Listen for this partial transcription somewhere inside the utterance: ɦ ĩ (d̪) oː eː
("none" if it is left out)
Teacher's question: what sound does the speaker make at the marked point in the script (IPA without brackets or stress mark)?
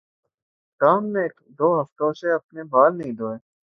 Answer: d̪